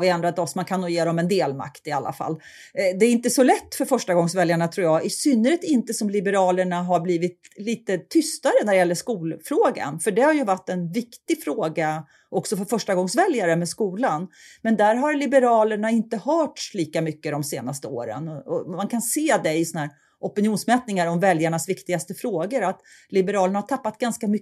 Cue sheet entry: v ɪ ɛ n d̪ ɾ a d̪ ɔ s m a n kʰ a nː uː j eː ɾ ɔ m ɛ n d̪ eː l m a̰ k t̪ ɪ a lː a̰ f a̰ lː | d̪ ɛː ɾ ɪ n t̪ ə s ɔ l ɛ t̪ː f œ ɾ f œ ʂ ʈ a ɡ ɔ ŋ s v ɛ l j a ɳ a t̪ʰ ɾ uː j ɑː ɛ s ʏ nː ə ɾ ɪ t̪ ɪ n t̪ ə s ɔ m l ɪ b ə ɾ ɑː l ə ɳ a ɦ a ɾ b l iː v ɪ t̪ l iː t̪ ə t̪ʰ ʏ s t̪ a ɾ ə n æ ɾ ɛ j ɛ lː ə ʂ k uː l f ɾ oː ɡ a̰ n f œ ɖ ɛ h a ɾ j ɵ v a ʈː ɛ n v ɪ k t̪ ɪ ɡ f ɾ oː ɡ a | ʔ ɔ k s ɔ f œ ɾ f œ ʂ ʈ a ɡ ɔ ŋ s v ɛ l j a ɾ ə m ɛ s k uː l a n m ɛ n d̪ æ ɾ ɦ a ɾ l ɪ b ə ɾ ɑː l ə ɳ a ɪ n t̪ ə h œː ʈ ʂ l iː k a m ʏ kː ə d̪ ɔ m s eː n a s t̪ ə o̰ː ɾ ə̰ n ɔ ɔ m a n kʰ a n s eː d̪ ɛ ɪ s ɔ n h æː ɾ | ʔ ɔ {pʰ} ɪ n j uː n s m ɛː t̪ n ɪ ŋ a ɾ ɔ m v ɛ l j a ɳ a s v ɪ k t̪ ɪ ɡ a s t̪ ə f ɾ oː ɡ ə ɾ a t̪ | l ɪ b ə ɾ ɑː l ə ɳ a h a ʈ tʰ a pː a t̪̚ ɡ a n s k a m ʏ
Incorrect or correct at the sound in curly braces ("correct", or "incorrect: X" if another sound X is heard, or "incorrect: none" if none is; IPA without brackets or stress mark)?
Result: incorrect: p